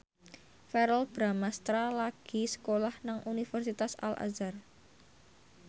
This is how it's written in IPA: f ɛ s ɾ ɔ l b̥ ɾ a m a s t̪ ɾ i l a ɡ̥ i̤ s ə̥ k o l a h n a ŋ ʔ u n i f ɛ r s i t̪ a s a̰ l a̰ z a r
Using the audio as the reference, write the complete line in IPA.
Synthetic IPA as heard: f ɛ ɾ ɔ l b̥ ɾ a m a s t̪ ɾ a l a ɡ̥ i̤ s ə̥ k o l a h n a ŋ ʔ u n i f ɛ r s i t̪ a s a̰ l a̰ z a r